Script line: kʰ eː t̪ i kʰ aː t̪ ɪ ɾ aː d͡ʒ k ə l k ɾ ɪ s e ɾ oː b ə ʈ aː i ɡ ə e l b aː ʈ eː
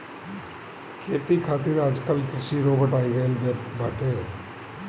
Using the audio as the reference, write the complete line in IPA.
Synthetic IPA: kʰ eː t̪ i kʰ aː t̪ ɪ ɾ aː d͡ʒ k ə l k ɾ ɪ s i ɾ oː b ə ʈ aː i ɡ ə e l b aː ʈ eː

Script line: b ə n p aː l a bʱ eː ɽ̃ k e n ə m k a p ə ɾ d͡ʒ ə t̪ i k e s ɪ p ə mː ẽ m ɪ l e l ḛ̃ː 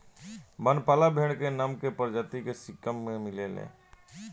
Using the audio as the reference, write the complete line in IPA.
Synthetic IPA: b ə n p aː l a bʱ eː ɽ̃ k e n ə m k e p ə ɾ d͡ʒ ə t̪ i k e s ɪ k ə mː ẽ m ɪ l e l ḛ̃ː

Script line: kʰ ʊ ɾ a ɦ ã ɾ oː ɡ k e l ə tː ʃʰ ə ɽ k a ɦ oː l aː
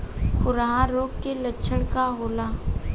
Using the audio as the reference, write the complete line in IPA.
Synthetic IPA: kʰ ʊ ɾ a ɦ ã ɾ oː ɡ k e l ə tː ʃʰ ə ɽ k a ɦ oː l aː

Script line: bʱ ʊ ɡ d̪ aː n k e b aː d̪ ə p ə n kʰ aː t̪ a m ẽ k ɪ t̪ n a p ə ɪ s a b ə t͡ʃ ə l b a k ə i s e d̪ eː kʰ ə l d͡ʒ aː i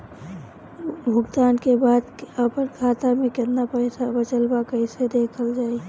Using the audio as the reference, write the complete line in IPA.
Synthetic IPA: bʱ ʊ ɡ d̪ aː n k e b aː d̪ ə p ə n kʰ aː t̪ a m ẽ k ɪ t̪ n a p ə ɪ s a b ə t͡ʃ ə l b a k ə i s e d̪ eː kʰ ə l d͡ʒ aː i

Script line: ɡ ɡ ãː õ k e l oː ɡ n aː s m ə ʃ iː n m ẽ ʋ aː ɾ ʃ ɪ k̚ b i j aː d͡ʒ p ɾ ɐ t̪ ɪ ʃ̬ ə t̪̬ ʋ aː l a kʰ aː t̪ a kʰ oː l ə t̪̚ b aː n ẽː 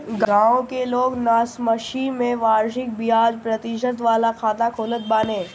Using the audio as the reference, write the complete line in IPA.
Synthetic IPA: ɡ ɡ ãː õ k e l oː ɡ n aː s m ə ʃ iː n m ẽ ʋ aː ɾ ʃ ɪ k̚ b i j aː d͡ʒ p ɾ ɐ t̪ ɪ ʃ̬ ə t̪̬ ʋ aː l a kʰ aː t̪ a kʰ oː l ə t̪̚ b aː n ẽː

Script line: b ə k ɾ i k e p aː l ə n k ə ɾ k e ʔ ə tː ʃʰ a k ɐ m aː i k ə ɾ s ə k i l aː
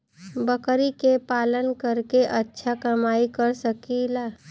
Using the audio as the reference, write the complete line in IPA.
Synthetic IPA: b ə k ɾ i k e p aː l ə n k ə ɾ k e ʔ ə tː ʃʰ a k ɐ m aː i k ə ɾ s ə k i l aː

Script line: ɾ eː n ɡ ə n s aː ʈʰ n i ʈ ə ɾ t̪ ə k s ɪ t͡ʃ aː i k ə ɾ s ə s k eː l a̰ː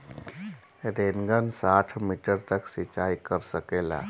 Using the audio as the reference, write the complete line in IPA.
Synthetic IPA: ɾ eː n ɡ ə n s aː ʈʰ m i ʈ ə ɾ t̪ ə k s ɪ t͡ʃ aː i k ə ɾ s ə k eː l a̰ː

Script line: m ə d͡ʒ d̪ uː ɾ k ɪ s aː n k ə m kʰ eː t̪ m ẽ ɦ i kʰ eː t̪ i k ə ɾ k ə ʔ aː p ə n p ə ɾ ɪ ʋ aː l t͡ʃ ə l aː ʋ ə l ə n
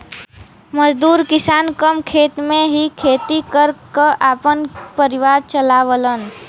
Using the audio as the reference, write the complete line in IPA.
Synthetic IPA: m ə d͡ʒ d̪ uː ɾ k ɪ s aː n k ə m kʰ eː t̪ m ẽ ɦ i kʰ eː t̪ i k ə ɾ k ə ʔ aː p ə n p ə ɾ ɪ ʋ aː ɾ t͡ʃ ə l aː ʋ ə l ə n

